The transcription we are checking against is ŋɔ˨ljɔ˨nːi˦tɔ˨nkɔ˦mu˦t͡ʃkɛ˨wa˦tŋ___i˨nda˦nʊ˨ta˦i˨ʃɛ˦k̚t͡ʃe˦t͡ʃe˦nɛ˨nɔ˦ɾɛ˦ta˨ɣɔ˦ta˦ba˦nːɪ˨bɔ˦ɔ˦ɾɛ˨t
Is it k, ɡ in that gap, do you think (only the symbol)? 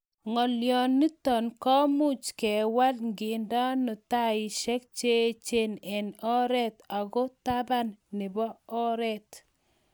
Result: ɡ